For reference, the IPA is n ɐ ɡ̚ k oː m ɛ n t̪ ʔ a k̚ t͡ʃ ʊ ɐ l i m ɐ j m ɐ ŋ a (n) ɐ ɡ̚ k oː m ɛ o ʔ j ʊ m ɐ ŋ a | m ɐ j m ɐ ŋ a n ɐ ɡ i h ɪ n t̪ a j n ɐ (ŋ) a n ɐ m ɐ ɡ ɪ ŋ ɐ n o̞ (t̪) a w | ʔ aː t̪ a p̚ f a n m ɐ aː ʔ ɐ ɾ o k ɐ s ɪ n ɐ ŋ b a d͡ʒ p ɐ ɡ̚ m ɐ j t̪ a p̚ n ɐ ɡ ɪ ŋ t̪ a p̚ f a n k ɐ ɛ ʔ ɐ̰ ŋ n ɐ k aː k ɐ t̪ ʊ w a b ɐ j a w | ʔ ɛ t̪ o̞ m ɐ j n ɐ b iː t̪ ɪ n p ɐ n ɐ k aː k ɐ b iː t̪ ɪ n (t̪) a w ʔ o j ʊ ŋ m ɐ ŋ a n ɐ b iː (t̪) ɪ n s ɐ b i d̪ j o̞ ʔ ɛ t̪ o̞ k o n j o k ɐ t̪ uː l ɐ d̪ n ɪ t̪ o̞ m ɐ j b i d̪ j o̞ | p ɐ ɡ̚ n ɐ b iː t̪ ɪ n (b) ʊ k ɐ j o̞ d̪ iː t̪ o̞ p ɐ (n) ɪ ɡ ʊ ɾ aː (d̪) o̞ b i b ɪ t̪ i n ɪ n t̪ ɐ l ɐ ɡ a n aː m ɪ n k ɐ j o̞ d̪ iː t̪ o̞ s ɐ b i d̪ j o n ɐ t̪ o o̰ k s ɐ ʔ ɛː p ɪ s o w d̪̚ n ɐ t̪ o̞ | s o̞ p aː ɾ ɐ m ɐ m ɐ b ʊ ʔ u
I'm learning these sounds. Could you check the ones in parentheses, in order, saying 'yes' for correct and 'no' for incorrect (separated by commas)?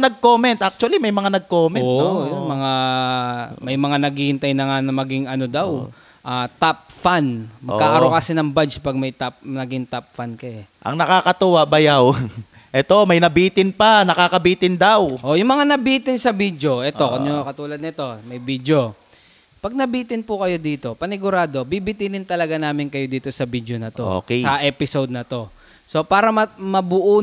yes, yes, no, no, yes, no, yes, yes